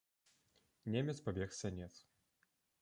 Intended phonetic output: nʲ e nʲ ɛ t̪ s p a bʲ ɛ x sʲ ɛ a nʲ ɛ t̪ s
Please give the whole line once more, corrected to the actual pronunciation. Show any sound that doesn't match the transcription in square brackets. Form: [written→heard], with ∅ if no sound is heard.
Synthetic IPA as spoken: nʲ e [nʲ→mʲ] ɛ t̪ s p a bʲ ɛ x sʲ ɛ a nʲ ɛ t̪ s